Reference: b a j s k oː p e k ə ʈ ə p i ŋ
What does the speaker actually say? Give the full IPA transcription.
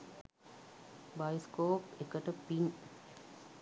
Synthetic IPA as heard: b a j s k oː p e k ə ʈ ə p i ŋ

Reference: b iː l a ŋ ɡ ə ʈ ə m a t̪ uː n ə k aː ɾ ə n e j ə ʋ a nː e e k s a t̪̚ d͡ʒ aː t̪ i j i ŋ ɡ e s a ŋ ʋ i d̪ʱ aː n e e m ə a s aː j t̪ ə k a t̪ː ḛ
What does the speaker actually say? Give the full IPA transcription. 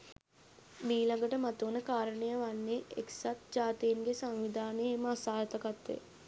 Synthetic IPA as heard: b iː l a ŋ ɡ ə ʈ ə m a t̪ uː n ə k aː ɾ ə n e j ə ʋ a nː e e k s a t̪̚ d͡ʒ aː t̪ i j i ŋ ɡ e s a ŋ ʋ i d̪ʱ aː n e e m ə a s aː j t̪ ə k a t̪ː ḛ

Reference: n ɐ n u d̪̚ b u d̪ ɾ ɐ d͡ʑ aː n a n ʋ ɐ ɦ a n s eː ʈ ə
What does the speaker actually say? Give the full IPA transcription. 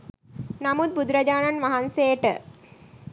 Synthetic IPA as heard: n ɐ m u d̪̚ b u d̪ ɾ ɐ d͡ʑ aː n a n ʋ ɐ ɦ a n s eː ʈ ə

